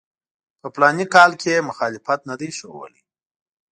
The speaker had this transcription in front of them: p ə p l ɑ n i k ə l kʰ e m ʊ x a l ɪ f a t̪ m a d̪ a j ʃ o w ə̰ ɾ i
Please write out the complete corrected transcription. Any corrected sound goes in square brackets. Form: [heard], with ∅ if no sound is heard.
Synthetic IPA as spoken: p ə p l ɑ n i k [ɑ] l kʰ e m ʊ x [ɑ] l ɪ f a t̪ [n] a d̪ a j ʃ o w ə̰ [l] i